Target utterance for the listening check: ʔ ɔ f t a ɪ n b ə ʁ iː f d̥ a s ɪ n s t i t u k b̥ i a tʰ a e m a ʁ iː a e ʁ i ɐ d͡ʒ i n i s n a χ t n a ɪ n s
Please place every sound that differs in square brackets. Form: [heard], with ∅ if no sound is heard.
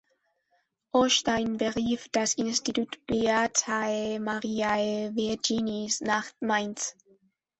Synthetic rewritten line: ʔ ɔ [ʃ] t a ɪ n b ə ʁ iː f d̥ a s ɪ n s t i t u [t] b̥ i a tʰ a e m a ʁ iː a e [v] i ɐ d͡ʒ i n i s n a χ t [m] a ɪ n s